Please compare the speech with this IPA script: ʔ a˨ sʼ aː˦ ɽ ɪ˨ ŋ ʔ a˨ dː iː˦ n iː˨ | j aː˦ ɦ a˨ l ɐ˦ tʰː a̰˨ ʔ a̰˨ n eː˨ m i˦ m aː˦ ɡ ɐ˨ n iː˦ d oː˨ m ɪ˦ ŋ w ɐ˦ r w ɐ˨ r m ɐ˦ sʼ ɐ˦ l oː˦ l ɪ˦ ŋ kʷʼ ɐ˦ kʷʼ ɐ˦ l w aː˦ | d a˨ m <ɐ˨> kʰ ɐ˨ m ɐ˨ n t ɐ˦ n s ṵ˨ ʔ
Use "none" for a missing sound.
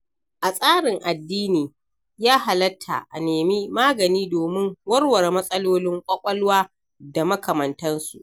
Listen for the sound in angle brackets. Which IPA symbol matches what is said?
ɐ˦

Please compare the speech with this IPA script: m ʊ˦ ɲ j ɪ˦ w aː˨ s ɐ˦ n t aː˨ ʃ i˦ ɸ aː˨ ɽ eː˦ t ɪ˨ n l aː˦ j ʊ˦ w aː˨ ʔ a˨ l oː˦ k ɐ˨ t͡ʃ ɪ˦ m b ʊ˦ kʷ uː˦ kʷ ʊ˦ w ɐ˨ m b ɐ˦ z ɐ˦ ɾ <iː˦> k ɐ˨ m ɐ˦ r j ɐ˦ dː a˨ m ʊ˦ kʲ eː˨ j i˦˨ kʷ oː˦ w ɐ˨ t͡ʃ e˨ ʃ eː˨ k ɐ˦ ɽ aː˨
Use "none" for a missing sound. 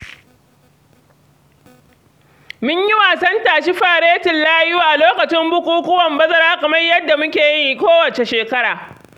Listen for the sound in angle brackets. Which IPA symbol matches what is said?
aː˦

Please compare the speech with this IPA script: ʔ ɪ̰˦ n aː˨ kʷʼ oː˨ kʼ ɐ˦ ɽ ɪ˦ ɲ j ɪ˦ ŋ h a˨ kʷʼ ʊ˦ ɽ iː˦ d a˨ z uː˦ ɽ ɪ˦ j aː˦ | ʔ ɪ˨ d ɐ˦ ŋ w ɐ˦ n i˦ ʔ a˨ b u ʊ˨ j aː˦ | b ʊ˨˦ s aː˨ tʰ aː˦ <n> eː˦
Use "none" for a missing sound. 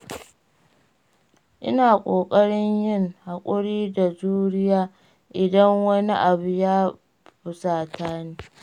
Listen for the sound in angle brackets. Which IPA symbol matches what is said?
n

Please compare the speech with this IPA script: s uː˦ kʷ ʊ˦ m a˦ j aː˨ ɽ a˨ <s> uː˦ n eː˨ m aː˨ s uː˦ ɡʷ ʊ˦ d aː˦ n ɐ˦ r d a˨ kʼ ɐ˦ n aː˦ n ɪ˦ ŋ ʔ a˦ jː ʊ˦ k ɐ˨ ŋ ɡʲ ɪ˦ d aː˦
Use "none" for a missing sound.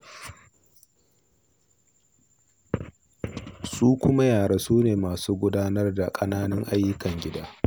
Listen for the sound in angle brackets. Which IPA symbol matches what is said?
s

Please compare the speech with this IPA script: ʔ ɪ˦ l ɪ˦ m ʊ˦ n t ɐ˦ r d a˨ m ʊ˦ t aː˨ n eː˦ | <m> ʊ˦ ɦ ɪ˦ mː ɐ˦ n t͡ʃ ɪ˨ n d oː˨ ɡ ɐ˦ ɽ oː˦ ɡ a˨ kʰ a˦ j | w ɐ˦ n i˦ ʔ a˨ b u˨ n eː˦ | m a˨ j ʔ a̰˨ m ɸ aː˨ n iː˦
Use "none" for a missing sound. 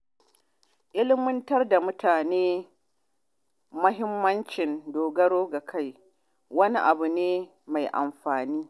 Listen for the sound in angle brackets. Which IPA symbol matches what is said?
m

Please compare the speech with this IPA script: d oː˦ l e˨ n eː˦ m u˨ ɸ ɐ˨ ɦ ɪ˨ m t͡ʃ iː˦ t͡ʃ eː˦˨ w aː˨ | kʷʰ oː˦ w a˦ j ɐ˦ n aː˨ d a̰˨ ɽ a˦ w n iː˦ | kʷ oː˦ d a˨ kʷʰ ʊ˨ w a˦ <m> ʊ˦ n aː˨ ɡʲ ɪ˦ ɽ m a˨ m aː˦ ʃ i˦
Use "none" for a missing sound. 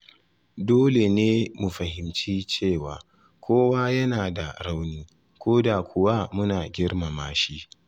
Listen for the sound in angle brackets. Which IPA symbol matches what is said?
m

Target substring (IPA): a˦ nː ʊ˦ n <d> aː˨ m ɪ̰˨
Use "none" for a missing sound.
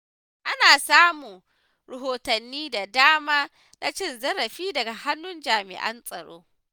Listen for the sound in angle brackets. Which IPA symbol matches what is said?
d͡ʒ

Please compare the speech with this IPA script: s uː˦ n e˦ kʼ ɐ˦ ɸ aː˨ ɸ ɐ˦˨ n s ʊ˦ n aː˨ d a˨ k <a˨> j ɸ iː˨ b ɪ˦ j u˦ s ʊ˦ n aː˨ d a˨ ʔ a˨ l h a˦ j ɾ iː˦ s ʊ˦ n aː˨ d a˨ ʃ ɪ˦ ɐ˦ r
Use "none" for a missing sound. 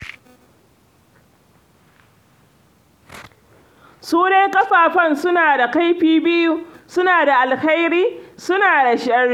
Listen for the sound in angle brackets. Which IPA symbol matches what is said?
a˦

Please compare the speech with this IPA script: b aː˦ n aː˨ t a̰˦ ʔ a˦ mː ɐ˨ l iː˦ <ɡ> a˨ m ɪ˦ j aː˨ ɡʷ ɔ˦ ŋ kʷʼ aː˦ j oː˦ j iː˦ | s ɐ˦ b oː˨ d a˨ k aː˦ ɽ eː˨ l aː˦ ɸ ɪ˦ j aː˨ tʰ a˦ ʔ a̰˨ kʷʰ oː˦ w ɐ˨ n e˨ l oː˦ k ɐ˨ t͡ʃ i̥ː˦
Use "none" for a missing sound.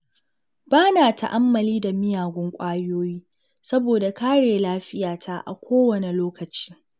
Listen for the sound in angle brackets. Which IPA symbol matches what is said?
d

